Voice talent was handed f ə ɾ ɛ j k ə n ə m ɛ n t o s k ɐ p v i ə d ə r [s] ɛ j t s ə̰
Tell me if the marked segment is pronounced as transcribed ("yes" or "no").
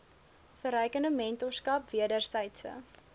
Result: yes